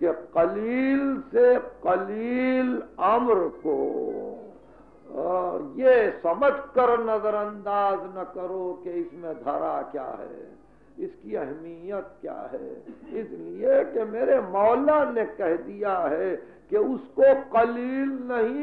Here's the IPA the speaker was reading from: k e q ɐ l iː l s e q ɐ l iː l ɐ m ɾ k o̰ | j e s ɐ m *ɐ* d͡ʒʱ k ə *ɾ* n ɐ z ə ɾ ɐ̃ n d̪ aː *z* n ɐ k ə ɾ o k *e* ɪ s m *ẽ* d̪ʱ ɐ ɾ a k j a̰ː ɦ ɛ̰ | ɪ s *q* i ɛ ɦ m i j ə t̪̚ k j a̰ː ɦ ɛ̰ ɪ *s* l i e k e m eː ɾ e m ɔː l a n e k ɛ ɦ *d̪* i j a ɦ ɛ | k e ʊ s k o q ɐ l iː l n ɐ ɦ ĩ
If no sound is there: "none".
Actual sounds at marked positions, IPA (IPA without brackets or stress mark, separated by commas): ə, ɾ, z, e, ẽ, k, s, d̪